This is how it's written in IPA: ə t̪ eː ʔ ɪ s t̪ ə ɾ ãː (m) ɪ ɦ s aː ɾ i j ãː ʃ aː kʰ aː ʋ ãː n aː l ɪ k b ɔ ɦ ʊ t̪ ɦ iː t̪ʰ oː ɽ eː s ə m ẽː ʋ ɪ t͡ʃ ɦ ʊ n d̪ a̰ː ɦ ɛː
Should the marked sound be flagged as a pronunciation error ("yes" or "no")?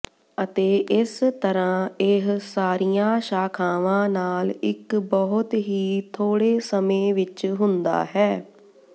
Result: yes